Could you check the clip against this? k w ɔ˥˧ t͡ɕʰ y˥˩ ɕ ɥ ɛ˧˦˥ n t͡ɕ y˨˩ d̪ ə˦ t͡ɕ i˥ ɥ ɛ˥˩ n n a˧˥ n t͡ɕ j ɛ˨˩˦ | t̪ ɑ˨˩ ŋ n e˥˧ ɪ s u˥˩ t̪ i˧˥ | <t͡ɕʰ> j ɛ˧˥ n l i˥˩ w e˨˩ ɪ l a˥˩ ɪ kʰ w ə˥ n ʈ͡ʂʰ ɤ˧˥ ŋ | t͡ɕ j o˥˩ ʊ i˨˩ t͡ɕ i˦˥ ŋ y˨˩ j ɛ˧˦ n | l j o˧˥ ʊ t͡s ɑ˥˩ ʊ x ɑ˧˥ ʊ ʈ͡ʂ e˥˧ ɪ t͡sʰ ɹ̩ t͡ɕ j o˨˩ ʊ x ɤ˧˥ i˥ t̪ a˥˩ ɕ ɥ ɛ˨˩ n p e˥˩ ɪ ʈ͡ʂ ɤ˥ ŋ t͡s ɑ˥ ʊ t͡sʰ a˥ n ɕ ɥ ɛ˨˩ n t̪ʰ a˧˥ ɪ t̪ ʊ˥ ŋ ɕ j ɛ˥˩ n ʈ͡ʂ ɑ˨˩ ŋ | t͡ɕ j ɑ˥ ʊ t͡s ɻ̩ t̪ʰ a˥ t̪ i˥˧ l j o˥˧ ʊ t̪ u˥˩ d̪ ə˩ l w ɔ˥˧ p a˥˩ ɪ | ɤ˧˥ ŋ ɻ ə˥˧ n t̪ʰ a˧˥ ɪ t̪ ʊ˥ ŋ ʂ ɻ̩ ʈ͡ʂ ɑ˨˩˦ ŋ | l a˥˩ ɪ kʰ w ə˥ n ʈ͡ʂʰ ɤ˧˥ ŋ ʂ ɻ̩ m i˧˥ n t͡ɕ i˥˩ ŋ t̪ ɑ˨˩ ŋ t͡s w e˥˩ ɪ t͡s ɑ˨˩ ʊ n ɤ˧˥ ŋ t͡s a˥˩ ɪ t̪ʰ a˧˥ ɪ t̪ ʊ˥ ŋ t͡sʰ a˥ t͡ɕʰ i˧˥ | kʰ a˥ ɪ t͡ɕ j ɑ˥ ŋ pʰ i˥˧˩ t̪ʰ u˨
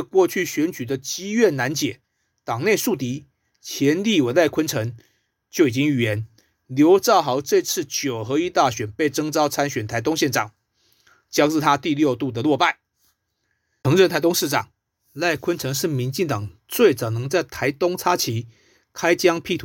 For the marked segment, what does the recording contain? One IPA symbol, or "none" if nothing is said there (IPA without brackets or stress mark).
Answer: t͡ɕʰ